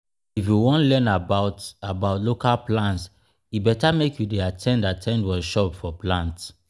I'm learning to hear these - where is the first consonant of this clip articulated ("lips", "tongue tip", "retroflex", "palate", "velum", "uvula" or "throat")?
lips